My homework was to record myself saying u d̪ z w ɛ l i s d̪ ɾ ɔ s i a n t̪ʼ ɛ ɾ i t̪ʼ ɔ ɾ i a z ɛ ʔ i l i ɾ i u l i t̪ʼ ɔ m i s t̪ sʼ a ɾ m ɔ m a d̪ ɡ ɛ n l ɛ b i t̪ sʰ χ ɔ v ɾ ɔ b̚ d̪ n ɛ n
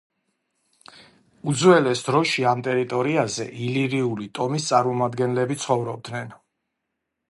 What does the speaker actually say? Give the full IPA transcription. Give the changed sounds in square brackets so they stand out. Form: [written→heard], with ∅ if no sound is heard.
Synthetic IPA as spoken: u d̪ z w ɛ l [i→ɛ] s d̪ ɾ ɔ [s→ʃ] i a [n→m] t̪ʼ ɛ ɾ i t̪ʼ ɔ ɾ i a z ɛ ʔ i l i ɾ i u l i t̪ʼ ɔ m i s t̪ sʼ a ɾ m ɔ m a d̪ ɡ ɛ n l ɛ b i t̪ sʰ χ ɔ v ɾ ɔ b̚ d̪ n ɛ n